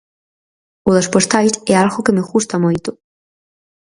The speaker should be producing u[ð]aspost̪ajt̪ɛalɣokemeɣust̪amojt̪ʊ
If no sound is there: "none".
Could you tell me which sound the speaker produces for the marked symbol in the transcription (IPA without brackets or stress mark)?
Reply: ð